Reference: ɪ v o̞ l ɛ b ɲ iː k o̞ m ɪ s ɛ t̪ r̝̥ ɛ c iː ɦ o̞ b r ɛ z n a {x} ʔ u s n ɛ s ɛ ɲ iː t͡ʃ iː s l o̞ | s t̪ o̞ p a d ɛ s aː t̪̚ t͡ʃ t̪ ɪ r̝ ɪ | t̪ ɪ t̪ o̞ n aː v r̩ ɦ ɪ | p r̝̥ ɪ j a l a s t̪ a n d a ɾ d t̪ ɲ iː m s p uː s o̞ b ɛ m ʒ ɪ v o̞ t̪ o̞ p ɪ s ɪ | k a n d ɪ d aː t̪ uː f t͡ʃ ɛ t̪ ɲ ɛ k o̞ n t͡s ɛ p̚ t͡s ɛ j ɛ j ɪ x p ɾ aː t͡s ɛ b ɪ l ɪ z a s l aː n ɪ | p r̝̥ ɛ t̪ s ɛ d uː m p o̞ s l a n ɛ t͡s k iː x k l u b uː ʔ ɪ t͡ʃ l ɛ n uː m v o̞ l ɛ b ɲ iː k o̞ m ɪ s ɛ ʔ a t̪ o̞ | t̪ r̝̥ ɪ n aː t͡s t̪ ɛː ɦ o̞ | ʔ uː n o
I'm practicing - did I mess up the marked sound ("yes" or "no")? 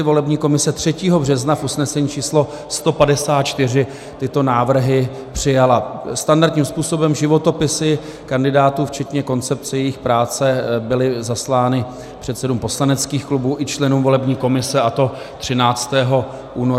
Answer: yes